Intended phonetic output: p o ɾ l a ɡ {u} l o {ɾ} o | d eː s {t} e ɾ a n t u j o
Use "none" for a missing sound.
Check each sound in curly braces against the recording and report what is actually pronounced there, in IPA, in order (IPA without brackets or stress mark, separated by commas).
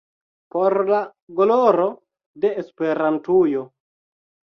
o, ɾ, p